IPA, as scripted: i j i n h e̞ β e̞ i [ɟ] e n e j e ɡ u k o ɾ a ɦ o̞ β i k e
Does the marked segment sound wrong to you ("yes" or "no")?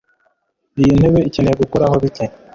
yes